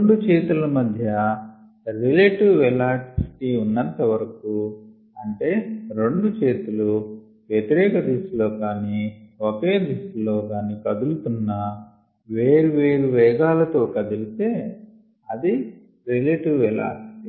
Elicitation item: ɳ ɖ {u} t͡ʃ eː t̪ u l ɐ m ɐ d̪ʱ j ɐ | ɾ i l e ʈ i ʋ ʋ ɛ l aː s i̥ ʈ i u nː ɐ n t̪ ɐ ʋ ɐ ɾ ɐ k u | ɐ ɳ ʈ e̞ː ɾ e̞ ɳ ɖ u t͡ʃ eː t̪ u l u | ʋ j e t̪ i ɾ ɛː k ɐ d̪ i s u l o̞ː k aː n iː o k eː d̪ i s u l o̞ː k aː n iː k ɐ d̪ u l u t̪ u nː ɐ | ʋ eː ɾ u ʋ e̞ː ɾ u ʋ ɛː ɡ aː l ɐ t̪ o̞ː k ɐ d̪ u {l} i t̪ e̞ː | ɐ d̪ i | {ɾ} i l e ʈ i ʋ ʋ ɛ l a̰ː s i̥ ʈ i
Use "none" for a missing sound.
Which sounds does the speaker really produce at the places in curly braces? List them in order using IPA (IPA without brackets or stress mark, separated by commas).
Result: u, l, ɾ